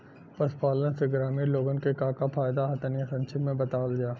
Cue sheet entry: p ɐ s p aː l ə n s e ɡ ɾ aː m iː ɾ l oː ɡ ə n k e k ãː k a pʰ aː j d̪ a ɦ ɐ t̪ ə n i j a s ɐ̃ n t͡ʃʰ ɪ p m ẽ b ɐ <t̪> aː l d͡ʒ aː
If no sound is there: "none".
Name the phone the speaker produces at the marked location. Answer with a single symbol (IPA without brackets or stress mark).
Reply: t̪